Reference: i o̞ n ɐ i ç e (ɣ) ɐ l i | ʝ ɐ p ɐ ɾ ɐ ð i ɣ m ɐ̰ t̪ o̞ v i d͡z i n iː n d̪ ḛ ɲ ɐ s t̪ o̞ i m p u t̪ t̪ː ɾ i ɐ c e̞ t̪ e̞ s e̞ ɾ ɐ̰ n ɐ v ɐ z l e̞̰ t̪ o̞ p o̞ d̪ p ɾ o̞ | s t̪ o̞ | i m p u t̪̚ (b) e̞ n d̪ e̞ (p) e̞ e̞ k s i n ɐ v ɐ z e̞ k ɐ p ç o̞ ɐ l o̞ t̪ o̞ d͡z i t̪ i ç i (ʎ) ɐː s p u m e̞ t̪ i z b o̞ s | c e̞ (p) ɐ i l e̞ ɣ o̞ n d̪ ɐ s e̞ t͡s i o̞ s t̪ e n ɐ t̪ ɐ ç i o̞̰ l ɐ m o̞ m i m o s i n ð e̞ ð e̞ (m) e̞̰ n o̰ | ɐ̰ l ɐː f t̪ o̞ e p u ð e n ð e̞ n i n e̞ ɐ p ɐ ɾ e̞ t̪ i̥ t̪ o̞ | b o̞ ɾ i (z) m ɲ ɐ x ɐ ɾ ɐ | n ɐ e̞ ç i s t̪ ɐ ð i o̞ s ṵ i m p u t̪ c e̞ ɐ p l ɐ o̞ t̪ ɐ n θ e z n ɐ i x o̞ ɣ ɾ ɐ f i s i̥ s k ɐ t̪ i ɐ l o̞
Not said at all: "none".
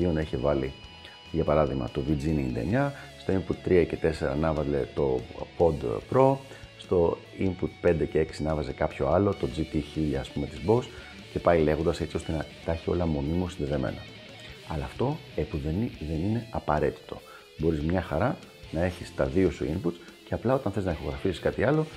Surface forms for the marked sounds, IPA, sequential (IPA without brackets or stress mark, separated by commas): v, p, c, ʎ, p, m, z